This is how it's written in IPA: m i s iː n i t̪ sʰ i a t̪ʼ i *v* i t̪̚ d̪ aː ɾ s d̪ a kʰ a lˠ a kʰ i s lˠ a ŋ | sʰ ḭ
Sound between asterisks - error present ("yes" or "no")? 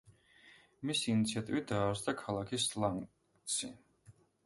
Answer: no